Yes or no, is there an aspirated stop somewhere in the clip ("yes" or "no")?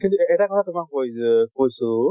yes